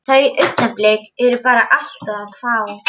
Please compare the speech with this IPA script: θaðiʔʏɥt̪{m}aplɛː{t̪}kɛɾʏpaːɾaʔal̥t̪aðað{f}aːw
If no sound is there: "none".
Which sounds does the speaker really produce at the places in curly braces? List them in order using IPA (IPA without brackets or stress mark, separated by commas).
n, none, f